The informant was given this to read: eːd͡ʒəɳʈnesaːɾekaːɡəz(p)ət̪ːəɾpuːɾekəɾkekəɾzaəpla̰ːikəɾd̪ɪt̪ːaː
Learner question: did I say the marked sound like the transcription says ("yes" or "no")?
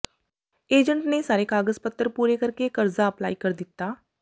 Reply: yes